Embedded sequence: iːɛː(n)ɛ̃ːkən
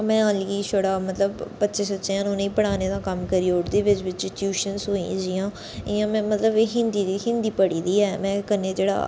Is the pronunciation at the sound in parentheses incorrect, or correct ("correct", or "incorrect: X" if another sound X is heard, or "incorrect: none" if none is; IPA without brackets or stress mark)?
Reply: incorrect: m